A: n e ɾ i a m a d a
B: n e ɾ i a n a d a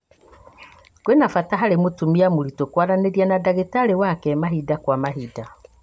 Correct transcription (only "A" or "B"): B